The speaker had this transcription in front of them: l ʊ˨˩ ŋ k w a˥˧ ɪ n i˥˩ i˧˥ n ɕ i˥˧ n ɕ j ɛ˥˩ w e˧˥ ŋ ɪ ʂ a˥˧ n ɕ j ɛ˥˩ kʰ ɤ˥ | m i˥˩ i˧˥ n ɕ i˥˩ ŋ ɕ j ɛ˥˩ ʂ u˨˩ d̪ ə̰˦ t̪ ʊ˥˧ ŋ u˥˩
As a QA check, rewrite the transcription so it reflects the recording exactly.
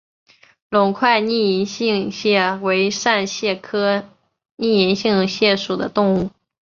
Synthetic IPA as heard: l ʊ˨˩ ŋ kʰ w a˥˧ ɪ n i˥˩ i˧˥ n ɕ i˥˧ ŋ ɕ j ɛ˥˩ w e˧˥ ɪ ʂ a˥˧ n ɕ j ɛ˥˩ kʰ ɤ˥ | n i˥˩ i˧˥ n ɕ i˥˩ ŋ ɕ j ɛ˥˩ ʂ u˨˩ d̪ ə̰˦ t̪ ʊ˥˧ ŋ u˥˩

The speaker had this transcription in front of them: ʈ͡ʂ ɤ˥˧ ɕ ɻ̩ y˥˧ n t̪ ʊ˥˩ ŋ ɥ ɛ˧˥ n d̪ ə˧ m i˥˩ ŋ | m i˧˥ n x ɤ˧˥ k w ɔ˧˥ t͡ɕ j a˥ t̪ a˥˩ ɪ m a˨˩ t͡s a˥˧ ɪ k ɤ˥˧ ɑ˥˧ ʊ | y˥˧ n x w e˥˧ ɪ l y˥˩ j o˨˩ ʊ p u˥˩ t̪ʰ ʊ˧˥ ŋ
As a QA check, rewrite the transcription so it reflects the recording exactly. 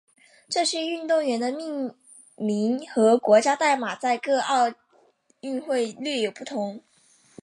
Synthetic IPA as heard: ʈ͡ʂ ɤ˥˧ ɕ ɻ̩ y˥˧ n t̪ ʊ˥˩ ŋ ɥ ɛ˧˥ n d̪ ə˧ m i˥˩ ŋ | m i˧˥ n x ɤ˧˥ k w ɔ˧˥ t͡ɕ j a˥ t̪ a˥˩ ɪ m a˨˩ t͡s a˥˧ ɪ k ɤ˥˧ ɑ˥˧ ʊ | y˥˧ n x w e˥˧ ɪ l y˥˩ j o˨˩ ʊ p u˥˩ t̪ʰ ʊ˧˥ ŋ

